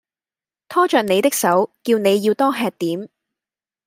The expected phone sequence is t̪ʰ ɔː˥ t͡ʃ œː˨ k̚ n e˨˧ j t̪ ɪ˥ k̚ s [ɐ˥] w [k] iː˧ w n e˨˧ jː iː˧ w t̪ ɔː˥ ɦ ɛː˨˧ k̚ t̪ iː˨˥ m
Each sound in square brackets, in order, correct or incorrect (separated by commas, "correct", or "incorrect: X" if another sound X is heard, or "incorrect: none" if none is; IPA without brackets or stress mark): incorrect: ɐ˨˥, correct